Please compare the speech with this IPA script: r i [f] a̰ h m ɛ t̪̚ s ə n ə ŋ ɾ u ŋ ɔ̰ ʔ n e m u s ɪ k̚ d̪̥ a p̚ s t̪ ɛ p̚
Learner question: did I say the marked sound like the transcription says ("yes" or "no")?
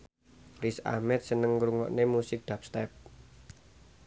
no